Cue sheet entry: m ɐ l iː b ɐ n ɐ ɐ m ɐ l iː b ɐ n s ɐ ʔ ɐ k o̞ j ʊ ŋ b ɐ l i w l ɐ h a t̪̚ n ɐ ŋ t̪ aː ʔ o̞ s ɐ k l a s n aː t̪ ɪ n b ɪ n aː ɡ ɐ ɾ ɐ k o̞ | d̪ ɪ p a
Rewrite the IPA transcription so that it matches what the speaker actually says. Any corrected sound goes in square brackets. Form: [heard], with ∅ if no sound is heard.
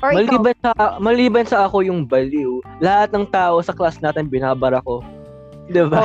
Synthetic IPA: m ɐ l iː b ɐ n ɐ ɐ m ɐ l iː b ɐ n s ɐ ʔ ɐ k o̞ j ʊ ŋ b ɐ l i w l ɐ h a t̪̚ n ɐ ŋ t̪ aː ʔ o̞ s ɐ k l a s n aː t̪ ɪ n b ɪ n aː [b] ɐ ɾ ɐ k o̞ | d̪ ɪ [b] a